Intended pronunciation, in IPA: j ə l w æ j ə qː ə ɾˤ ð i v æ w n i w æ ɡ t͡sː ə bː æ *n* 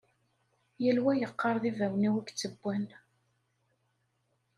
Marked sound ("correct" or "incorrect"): correct